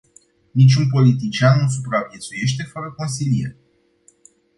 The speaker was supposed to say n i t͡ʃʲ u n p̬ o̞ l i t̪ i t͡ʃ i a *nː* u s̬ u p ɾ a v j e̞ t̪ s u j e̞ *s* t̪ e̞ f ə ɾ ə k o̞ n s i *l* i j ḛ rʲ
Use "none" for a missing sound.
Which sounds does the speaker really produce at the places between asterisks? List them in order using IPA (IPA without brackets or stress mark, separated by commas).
nː, ʃ, l